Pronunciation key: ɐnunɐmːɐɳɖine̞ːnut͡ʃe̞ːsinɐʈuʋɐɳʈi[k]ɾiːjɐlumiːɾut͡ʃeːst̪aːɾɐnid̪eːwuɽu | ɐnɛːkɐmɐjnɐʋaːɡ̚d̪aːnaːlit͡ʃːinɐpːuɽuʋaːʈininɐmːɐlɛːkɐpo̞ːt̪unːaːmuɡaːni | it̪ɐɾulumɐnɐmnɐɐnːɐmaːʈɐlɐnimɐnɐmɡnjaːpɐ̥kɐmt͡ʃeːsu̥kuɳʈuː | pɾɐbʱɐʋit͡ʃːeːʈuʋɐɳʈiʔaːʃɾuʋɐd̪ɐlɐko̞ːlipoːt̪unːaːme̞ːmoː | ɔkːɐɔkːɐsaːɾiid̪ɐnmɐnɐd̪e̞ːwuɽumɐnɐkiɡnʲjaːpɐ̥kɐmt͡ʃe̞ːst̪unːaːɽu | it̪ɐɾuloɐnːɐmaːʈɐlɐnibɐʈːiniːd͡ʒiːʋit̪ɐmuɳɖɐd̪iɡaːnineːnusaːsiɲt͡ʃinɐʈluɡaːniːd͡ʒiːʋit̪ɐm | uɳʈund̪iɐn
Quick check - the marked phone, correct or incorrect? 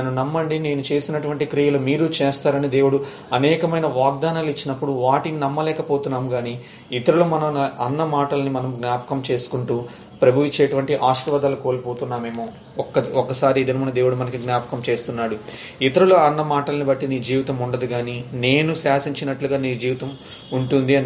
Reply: correct